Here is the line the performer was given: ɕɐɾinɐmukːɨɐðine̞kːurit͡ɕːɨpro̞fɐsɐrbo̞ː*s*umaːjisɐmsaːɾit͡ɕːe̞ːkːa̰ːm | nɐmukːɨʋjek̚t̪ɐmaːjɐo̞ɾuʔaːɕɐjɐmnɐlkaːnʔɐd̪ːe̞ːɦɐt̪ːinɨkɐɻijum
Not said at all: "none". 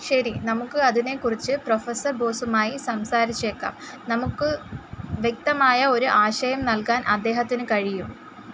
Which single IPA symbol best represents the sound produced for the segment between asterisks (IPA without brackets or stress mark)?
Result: s